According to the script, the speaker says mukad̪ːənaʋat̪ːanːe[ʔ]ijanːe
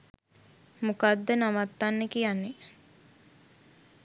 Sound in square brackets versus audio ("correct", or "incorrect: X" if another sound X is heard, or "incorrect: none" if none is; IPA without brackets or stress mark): incorrect: k